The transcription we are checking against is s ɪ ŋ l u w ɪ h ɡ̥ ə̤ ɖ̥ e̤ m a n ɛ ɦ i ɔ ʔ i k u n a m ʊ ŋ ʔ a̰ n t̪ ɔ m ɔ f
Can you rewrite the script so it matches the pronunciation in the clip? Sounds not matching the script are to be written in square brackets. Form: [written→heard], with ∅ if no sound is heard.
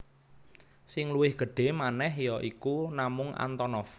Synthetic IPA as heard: s ɪ ŋ l u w ɪ h ɡ̥ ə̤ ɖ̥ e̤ m a n ɛ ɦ [i→j] ɔ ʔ i k u n a m ʊ ŋ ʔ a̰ n t̪ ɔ [m→n] ɔ f